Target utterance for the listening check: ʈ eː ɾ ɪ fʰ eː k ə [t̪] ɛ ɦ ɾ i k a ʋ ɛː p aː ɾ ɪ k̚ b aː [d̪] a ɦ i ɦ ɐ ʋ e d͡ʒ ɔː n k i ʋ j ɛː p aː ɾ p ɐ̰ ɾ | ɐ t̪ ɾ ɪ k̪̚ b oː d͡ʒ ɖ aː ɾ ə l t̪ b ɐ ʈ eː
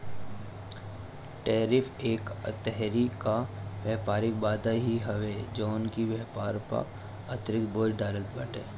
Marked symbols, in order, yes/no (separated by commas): yes, yes